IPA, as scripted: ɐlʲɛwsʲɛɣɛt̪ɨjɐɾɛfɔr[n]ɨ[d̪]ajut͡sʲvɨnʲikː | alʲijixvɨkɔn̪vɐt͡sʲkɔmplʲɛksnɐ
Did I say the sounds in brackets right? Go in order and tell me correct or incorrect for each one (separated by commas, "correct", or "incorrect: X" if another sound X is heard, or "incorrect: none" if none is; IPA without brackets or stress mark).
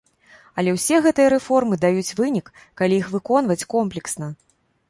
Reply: incorrect: m, correct